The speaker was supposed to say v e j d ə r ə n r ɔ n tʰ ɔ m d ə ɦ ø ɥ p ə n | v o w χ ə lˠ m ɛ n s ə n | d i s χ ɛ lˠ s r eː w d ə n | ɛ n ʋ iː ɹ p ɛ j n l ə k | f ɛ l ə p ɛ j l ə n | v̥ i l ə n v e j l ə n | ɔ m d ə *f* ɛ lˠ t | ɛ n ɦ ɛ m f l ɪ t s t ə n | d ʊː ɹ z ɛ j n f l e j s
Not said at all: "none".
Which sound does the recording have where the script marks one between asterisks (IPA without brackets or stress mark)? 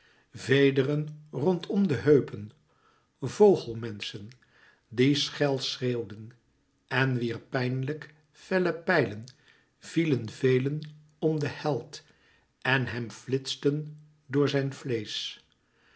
h